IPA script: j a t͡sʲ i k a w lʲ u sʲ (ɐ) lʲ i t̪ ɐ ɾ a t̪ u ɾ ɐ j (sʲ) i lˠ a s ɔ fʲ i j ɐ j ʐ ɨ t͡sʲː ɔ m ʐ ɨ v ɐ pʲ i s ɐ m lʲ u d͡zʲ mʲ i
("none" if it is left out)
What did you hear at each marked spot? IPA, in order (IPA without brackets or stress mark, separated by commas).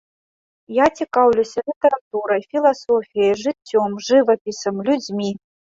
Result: ɐ, fʲ